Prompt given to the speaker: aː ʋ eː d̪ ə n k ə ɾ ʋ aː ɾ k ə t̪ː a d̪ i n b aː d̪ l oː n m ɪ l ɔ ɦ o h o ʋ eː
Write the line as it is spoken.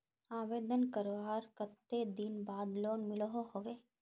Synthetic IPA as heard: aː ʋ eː d̪ ə n k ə ɾ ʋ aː ɾ k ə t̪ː e d̪ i n b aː d̪ l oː n m ɪ l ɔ ɦ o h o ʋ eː